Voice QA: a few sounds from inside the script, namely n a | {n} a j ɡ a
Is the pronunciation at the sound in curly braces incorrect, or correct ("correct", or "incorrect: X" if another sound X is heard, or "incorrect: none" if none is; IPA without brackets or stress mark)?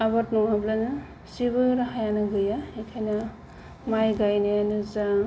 incorrect: m